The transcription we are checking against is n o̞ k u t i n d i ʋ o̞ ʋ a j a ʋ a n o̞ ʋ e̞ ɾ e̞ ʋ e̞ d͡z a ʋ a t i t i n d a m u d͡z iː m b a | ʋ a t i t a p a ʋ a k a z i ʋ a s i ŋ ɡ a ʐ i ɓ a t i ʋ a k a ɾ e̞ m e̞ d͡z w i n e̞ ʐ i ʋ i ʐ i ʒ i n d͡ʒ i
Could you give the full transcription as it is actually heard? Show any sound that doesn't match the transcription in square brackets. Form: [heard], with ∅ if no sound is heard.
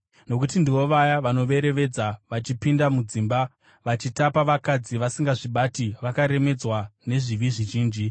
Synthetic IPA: n o̞ k u t i n d i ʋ o̞ ʋ a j a ʋ a n o̞ ʋ e̞ ɾ e̞ ʋ e̞ d͡z a ʋ a [t͡ʃ] i [p] i n d a m u d͡z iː m b a | ʋ a [t͡ʃ] i t a p a ʋ a k a [d͡z] i ʋ a s i ŋ ɡ a ʐ i ɓ a t i ʋ a k a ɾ e̞ m e̞ d͡z w [a] n e̞ ʐ i ʋ i ʐ i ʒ [iː] n d͡ʒ i